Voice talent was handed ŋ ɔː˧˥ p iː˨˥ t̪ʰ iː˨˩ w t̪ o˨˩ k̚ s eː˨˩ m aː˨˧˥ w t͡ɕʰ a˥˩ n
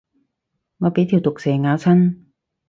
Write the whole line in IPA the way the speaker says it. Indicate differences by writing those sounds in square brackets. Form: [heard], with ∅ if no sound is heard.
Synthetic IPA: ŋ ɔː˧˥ p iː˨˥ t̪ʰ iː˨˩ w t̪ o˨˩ k̚ s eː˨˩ [ŋ] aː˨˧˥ w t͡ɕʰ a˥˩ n